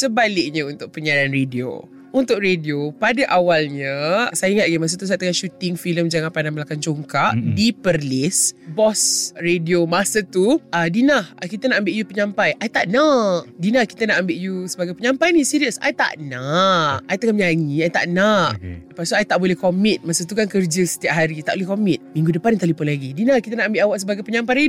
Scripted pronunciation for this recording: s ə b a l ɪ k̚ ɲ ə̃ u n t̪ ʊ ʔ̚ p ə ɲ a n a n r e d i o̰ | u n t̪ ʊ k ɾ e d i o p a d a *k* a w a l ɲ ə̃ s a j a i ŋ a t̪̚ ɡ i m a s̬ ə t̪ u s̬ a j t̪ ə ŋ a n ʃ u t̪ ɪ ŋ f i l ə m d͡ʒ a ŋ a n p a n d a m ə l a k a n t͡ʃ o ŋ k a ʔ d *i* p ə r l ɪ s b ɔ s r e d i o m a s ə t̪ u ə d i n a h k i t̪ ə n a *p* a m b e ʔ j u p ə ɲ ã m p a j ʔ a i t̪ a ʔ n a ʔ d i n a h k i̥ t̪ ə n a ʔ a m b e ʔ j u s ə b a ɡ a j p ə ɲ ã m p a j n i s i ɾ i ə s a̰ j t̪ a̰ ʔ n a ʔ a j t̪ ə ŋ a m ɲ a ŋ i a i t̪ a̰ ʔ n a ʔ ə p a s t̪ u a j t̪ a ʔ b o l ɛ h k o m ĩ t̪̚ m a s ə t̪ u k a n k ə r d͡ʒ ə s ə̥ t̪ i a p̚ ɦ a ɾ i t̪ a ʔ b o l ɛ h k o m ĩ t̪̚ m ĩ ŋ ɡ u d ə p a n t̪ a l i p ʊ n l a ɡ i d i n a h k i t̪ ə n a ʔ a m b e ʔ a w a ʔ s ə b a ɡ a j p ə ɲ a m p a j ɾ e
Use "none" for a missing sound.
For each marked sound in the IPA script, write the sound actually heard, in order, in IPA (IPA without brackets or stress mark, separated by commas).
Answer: ʔ, i, ʔ